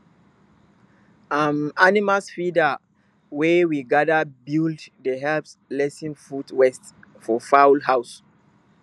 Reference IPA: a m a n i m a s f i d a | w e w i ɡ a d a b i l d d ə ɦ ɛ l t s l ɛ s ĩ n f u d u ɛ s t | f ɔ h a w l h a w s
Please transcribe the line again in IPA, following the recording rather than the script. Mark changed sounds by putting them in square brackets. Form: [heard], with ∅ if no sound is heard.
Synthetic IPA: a m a n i m a s f i d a | w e w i ɡ a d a b i l d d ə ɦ ɛ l [p] s l ɛ s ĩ n f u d [w] ɛ s t | f ɔ [f] a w l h a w s